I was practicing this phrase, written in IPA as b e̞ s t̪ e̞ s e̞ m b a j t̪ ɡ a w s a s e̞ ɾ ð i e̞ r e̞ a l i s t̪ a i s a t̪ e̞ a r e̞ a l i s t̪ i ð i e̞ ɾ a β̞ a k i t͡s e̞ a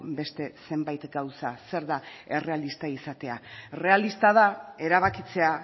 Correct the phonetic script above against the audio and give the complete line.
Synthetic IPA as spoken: b e̞ s t̪ e̞ s e̞ m b a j t̪ ɡ a w s a s e̞ ɾ ð a e̞ r e̞ a l i s t̪ a i s a t̪ e̞ a r e̞ a l i s t̪ a ð a e̞ ɾ a β̞ a k i t͡s e̞ a